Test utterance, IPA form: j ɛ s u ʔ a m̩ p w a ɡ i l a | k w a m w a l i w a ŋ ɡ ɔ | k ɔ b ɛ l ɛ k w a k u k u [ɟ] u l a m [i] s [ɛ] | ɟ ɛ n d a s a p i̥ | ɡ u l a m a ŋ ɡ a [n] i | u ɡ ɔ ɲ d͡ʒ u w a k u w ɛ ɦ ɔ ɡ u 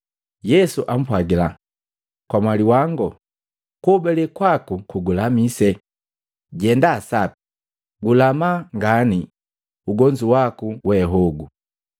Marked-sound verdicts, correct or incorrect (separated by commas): incorrect, correct, correct, correct